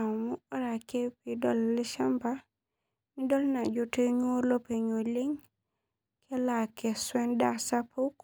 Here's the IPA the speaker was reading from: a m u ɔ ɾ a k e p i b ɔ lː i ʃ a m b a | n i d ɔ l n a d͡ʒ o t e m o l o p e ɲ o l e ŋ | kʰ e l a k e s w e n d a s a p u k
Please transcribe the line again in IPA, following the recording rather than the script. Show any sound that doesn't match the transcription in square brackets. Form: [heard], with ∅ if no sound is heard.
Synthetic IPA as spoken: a m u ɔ ɾ a k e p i [d] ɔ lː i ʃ a m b a | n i d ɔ l n a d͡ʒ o t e [ɲ] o l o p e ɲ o l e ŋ | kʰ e l a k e s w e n d a s a p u k